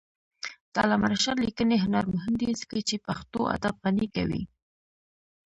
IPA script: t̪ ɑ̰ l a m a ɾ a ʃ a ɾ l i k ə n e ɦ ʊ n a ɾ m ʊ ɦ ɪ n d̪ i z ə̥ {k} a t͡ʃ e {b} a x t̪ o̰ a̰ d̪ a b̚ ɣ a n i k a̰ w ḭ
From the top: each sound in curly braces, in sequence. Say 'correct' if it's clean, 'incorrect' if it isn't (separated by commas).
correct, incorrect